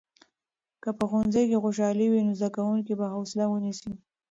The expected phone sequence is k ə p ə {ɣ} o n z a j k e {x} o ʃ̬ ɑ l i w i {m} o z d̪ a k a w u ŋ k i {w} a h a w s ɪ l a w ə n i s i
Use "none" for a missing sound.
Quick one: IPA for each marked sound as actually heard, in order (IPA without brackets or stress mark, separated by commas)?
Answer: x, x, n, b